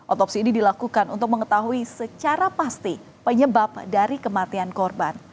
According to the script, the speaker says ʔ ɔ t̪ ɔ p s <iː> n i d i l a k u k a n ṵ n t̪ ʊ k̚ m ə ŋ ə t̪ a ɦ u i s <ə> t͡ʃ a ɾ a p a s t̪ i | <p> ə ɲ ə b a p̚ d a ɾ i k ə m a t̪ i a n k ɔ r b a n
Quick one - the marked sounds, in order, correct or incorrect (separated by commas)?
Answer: correct, correct, correct